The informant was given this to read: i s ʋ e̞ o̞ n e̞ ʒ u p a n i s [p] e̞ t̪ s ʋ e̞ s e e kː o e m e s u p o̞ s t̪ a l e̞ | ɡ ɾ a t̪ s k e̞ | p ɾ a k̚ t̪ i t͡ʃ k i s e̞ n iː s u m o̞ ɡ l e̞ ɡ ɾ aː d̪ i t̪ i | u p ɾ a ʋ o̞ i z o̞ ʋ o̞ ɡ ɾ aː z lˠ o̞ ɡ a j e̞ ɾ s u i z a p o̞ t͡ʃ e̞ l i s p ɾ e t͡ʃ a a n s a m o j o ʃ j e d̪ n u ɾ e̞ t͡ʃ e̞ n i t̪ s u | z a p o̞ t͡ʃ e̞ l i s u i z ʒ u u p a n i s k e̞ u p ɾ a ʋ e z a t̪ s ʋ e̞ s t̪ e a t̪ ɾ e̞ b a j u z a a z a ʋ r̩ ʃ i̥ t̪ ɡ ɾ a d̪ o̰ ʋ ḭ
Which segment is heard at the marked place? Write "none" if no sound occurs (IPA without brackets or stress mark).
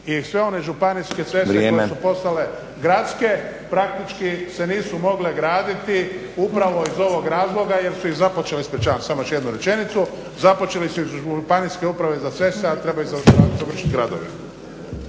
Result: k